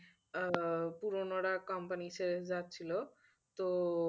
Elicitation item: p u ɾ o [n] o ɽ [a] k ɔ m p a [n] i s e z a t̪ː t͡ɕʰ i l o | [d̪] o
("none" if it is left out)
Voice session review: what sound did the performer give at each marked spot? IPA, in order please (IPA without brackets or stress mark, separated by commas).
n, a, n, t̪